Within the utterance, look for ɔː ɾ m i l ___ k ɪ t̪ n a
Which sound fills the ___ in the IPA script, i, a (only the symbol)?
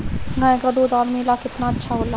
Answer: a